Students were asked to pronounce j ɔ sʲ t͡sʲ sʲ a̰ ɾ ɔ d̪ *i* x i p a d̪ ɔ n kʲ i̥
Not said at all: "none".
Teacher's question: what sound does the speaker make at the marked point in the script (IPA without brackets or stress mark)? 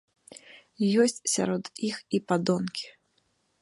i